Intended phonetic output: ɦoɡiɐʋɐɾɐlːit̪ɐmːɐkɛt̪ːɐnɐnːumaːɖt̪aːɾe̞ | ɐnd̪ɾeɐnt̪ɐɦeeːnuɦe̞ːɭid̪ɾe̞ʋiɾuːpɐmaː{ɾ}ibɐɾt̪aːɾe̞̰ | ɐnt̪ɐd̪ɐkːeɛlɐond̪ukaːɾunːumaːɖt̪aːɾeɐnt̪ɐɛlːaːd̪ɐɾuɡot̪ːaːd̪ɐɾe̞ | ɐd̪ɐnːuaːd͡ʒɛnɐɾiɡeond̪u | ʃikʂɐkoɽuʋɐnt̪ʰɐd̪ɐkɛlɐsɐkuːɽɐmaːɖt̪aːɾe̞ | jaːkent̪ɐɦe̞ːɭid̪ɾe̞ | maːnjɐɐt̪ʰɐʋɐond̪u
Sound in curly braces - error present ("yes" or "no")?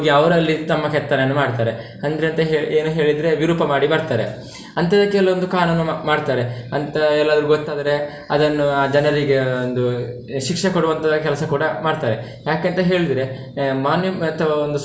yes